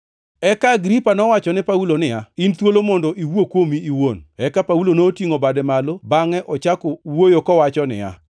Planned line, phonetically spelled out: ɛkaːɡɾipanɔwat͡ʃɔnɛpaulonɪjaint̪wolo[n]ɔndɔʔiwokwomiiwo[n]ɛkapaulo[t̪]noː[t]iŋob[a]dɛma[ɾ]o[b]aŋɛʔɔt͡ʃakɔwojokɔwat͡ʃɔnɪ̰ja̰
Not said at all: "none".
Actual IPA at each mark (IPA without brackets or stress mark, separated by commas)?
m, n, none, t, a, l, b